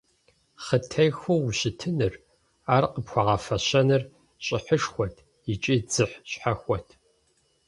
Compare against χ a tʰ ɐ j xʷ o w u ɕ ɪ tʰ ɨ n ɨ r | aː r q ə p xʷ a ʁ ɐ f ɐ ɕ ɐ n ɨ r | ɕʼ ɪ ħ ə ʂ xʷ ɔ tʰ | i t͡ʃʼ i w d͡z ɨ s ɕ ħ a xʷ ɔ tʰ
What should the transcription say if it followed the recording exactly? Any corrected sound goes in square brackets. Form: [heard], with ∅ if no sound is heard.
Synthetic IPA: χ [ə] tʰ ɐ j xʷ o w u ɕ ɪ tʰ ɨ n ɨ r | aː r q ə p xʷ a ʁ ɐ f ɐ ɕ ɐ n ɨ r | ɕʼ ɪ ħ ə ʂ xʷ ɔ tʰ | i t͡ʃʼ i [∅] d͡z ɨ [ħ] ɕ ħ a xʷ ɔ tʰ